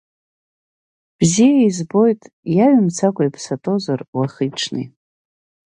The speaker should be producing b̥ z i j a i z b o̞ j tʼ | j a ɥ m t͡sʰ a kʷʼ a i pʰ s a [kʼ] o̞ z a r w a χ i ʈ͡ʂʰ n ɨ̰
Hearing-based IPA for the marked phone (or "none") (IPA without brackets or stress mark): tʼ